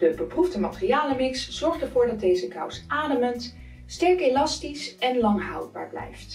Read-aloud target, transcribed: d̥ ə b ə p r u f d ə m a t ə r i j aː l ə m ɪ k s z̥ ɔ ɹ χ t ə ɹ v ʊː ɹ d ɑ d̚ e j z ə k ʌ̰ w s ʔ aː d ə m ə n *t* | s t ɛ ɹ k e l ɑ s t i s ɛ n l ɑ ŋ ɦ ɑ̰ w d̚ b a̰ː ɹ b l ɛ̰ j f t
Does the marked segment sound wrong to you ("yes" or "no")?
no